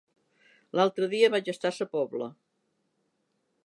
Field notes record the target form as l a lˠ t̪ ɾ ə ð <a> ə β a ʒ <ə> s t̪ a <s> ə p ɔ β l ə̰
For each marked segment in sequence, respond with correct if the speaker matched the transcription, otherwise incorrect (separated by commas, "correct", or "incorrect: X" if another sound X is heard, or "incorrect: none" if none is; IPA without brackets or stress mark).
incorrect: i, correct, correct